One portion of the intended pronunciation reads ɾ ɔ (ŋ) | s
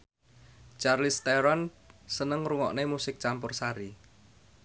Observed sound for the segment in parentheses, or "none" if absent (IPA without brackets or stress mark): n